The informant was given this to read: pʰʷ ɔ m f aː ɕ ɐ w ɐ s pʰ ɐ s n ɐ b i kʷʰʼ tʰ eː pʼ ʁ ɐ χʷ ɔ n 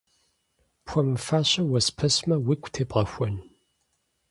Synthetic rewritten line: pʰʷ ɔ m f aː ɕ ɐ w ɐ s pʰ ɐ s m ɐ w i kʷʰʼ tʰ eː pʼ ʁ ɐ xʷ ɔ n